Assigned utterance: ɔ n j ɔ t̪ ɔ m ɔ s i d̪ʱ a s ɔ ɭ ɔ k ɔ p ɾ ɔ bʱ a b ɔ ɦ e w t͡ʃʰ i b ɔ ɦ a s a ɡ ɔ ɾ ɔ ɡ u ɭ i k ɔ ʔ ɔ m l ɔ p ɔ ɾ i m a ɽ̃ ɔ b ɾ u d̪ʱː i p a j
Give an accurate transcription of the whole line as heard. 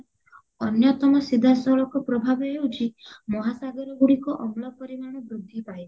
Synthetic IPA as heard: ɔ n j ɔ t̪ ɔ m ɔ s i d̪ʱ a s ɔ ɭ ɔ k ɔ p ɾ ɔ bʱ a b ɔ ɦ e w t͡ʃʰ i m ɔ ɦ a s a ɡ ɔ ɾ ɔ ɡ u ɽ i k ɔ ʔ ɔ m l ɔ p ɔ ɾ i m a ɽ̃ ɔ b ɾ u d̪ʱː i p a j

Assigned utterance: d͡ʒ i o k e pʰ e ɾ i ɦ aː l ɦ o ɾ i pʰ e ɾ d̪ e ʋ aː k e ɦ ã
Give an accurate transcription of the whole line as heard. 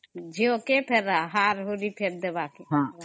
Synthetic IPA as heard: d͡ʒ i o k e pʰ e ɾ a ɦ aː ɾ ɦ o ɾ i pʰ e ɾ d̪ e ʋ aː k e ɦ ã

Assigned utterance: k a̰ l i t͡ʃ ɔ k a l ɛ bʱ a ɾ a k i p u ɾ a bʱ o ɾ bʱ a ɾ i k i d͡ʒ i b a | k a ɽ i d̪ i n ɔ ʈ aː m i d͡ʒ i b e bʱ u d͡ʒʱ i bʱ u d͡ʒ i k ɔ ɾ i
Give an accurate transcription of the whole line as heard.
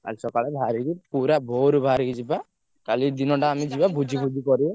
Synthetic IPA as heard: k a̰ l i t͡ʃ ɔ k a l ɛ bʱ a ɾ i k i p u ɾ a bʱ o ɾ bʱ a ɾ i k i d͡ʒ i b a | k a l i d̪ i n ɔ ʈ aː m i d͡ʒ i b a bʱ u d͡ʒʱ i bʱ u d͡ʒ i k ɔ ɾ i

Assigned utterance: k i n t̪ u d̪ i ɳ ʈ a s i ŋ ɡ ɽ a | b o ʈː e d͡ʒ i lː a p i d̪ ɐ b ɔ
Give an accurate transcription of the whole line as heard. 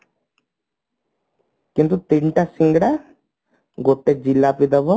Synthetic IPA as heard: k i n t̪ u t̪ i ɳ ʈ a s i ŋ ɡ ɽ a | ɡ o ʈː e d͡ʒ i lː a p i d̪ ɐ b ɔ

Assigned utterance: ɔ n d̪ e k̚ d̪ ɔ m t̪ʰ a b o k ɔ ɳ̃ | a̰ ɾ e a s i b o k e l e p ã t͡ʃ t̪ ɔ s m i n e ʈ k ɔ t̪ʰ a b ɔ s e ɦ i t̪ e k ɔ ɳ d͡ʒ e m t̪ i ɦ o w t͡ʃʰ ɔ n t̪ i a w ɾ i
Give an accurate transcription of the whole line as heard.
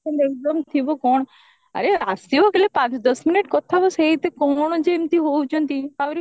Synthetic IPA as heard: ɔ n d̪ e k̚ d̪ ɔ m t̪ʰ i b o k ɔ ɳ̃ | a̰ ɾ e a s i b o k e l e p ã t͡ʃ d̪ ɔ s m i n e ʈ k ɔ t̪ʰ a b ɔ s e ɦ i t̪ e k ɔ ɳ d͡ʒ e m t̪ i ɦ o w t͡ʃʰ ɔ n t̪ i a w ɾ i

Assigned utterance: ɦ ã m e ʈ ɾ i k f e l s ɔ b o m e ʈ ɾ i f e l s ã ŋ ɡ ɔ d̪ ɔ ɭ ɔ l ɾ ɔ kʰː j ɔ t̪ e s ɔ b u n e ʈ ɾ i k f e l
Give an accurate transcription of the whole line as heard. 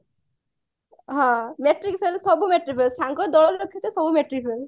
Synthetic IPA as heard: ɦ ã m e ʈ ɾ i k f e l s ɔ b u m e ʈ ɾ i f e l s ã ŋ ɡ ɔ d̪ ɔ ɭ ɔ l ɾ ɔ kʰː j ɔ t̪ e s ɔ b u m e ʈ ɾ i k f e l

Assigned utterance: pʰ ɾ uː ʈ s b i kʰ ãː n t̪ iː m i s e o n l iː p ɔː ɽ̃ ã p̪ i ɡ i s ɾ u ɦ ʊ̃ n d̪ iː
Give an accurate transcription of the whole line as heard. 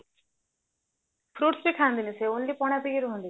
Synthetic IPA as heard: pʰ ɾ uː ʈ s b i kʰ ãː n d̪ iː n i s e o n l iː p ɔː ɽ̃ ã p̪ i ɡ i ɾ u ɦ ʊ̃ n d̪ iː

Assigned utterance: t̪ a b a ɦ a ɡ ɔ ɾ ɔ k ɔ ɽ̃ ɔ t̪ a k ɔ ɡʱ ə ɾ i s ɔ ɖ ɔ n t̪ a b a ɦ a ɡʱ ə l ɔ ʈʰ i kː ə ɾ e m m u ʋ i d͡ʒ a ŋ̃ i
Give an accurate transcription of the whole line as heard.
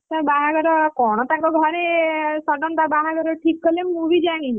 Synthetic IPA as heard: t̪ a b a ɦ a ɡ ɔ ɾ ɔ k ɔ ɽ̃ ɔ t̪ a k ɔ ɡʱ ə ɾ e s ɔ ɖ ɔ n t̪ a b a ɦ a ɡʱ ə ɾ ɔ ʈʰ i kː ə l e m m u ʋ i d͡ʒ a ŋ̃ i

